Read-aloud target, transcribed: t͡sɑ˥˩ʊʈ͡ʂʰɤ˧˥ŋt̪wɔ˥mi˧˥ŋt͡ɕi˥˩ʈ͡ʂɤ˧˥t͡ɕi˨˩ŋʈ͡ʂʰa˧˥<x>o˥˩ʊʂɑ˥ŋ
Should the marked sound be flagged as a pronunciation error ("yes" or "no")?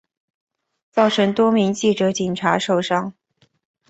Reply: yes